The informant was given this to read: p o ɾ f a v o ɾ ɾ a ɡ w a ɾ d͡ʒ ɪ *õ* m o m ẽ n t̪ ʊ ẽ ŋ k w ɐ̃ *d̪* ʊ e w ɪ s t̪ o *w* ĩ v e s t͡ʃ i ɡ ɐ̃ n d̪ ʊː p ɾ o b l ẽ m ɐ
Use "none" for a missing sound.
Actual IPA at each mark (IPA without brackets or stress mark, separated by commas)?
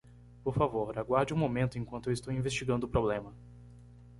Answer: ũ, t̪, w